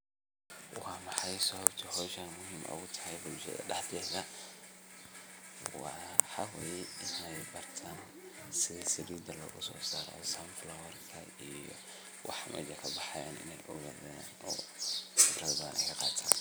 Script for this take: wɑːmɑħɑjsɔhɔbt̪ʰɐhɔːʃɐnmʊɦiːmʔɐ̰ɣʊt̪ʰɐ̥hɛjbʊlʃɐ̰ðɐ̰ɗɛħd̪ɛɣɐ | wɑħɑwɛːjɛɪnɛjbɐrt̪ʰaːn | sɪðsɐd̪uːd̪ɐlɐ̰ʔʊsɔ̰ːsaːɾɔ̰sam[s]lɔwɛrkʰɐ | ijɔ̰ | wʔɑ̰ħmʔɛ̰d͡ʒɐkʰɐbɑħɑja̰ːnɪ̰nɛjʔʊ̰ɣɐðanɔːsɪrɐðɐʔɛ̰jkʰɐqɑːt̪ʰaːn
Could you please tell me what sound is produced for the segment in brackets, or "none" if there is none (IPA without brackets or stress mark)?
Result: f